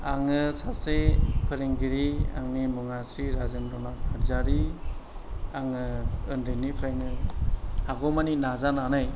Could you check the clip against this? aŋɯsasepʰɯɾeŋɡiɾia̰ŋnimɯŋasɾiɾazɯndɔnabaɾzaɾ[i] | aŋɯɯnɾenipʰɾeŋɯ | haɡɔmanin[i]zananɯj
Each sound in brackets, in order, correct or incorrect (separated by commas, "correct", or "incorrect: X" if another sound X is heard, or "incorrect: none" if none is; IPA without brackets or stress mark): correct, incorrect: a